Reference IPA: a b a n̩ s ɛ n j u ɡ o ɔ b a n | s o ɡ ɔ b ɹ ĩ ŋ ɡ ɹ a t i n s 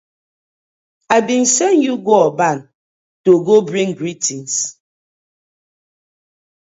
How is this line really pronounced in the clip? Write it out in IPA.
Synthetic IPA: a b i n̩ s ɛ n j u ɡ o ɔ b a n | t o ɡ o b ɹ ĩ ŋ ɡ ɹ i t i n s

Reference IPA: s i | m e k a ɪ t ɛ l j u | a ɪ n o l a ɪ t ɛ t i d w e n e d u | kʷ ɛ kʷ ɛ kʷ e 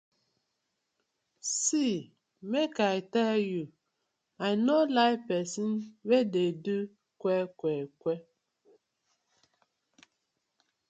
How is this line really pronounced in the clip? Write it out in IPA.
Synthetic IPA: s i | m e k a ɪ t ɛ l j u | a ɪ n o l a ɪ p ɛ s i n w e d e d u | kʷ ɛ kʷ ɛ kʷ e

